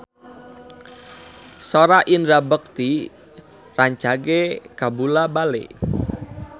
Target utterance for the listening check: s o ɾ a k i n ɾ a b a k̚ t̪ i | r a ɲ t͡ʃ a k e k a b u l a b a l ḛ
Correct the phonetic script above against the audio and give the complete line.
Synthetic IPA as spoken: s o ɾ a ʔ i n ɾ a b ə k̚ t̪ i | r a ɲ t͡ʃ a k e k a b u l a b a l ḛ